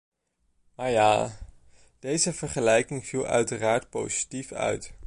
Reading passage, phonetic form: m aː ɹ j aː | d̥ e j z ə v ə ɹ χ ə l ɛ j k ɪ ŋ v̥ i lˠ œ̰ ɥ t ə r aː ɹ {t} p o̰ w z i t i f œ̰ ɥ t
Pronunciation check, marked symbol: correct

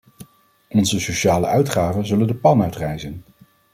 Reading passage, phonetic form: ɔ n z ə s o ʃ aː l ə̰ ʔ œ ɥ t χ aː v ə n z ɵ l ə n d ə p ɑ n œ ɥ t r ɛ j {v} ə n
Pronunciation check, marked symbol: incorrect: z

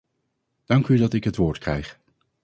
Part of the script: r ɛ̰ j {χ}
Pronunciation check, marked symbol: correct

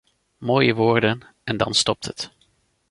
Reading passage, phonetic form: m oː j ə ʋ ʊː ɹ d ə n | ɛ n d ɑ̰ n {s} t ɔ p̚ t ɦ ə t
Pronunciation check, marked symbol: correct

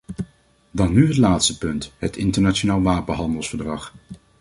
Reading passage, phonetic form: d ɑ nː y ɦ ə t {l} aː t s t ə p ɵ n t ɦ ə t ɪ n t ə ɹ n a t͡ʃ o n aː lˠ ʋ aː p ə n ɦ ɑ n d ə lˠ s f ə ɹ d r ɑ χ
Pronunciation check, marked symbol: correct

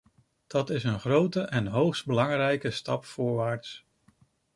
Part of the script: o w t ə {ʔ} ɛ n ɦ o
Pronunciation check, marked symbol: correct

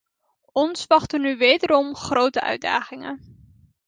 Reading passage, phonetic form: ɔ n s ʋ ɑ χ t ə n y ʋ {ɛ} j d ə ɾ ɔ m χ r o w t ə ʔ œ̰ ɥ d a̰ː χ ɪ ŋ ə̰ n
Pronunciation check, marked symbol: incorrect: e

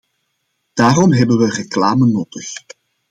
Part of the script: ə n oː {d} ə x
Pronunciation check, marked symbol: incorrect: t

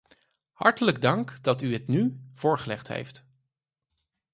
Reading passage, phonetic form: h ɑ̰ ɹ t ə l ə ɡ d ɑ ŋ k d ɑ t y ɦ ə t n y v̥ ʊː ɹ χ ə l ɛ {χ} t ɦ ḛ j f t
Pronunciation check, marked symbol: correct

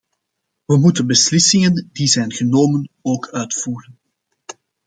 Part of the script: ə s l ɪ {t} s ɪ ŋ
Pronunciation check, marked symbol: incorrect: none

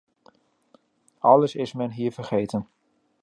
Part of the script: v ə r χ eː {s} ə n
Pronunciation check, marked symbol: incorrect: t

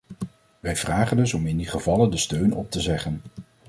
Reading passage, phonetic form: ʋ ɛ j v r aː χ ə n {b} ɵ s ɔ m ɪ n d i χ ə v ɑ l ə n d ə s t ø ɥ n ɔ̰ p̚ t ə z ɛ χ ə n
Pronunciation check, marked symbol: incorrect: d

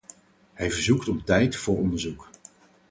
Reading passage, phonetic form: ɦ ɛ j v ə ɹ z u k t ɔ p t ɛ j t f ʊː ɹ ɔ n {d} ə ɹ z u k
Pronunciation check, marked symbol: correct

